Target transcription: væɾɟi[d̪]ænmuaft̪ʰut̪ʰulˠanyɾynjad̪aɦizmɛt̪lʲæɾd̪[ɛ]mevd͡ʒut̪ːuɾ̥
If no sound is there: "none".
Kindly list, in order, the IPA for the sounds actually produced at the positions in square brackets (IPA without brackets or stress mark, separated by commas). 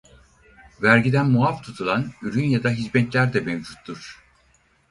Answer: d̪, ɛ